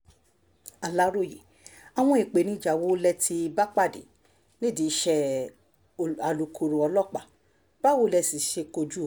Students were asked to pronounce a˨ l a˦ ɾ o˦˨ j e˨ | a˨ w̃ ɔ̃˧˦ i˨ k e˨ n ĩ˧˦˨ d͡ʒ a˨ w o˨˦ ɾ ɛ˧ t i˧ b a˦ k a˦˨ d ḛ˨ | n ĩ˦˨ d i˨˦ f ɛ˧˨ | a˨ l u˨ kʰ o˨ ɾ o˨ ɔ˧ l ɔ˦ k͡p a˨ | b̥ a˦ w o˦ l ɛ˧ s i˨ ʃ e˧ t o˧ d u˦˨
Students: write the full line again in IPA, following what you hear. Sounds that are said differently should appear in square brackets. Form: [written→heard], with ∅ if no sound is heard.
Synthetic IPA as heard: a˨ l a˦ ɾ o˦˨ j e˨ | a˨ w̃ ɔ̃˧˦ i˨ [k→k͡p] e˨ n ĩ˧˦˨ d͡ʒ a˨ w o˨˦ [ɾ→l] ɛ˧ t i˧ b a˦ [k→k͡p] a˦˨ d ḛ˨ | n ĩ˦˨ d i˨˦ [f→ʃ] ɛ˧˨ | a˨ l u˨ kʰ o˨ ɾ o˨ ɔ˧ l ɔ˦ k͡p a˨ | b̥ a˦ w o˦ l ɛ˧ s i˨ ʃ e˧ [t→k] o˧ [d→d͡ʒ] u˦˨

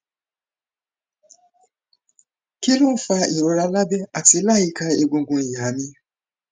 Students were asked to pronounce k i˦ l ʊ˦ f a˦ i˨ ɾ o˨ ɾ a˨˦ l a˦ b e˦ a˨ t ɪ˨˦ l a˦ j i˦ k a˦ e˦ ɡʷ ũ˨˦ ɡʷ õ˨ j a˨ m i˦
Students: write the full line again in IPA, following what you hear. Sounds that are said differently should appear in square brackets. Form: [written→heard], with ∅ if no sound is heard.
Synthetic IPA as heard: k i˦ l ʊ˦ f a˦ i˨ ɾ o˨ ɾ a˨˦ l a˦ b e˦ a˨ t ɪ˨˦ l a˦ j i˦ k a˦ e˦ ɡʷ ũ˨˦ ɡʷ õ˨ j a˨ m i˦

